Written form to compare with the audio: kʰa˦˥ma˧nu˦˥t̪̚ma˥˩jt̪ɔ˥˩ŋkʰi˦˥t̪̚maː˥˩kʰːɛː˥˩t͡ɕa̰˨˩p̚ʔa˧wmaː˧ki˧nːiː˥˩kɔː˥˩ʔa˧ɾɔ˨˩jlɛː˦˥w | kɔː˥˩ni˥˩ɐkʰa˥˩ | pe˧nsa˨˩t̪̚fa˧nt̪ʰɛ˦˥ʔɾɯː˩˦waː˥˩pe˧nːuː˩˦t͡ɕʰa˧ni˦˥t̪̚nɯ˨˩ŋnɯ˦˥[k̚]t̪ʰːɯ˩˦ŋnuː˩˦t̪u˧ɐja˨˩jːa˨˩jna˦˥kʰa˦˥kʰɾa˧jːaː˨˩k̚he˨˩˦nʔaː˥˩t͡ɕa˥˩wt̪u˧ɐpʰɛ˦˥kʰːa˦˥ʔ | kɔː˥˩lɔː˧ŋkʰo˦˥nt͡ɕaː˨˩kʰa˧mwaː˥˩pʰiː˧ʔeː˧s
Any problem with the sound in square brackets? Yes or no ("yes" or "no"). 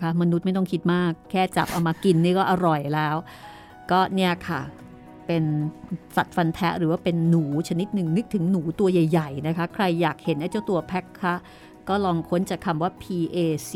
no